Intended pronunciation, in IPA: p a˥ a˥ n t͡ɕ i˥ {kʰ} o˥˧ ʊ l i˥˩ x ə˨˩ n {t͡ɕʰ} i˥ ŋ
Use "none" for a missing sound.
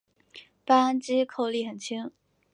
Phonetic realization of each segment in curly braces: kʰ, t͡ɕʰ

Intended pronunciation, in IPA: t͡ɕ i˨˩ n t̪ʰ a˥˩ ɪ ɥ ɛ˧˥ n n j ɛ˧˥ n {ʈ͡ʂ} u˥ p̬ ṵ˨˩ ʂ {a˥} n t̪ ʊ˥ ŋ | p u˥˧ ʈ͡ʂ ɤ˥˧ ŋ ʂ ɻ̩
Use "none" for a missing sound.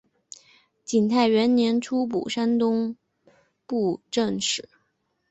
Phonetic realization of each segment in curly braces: ʈ͡ʂʰ, a˥

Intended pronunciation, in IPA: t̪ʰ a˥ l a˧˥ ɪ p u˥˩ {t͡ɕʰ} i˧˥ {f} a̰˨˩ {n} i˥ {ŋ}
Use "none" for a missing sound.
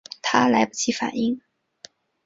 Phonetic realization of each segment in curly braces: t͡ɕʰ, f, n, ŋ

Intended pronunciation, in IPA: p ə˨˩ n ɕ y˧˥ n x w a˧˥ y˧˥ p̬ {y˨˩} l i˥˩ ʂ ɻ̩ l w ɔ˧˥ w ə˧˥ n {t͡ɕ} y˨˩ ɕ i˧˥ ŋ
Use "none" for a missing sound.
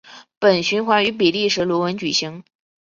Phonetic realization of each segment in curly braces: i˨˩, t͡ɕ

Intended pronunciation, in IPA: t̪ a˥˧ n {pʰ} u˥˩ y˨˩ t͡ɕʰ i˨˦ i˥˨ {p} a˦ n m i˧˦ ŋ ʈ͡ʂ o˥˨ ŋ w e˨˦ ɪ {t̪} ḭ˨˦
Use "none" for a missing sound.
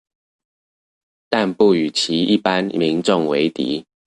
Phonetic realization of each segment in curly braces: p, p, t̪

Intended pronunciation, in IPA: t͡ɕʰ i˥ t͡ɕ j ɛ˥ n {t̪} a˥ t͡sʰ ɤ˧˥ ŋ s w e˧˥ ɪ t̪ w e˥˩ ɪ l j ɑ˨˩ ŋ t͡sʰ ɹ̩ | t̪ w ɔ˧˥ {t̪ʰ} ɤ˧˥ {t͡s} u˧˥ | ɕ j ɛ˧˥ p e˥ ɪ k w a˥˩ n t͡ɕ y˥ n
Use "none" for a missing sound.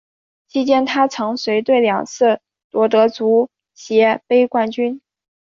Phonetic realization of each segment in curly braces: t̪ʰ, t̪, t͡s

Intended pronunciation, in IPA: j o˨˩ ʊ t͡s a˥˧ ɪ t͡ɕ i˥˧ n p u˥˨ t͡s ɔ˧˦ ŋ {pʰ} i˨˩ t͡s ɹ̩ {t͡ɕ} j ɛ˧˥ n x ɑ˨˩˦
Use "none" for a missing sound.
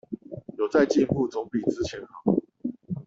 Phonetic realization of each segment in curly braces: p, t͡ɕʰ

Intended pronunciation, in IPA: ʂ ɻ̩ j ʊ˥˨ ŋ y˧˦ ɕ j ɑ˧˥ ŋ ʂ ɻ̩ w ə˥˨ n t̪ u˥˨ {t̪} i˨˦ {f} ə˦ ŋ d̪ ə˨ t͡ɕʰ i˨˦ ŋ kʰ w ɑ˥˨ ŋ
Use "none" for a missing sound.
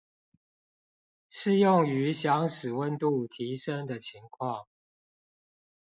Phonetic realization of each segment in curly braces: t̪ʰ, ʂ

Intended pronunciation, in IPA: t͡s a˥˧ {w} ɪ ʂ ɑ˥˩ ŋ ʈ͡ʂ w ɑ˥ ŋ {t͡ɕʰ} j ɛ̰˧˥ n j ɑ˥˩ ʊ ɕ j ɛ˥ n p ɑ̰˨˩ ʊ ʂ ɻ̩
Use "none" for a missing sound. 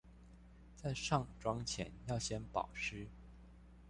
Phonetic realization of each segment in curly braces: none, t͡ɕʰ

